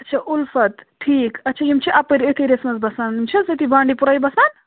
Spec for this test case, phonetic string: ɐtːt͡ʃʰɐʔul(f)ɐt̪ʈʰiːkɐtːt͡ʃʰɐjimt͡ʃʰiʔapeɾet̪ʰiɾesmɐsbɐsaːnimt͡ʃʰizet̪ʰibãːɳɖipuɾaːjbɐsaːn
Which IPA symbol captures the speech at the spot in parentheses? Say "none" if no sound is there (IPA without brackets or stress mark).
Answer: f